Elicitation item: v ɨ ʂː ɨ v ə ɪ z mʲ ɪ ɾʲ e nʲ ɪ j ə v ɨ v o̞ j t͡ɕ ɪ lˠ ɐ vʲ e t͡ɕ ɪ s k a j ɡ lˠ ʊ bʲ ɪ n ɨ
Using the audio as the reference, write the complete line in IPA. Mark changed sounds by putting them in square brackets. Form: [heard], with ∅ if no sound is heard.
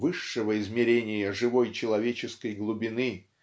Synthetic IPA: v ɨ ʂː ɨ v ə ɪ z mʲ ɪ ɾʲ e nʲ ɪ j ə [ʐ] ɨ v o̞ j t͡ɕ ɪ lˠ ɐ vʲ e t͡ɕ ɪ s k [ə] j ɡ lˠ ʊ bʲ ɪ n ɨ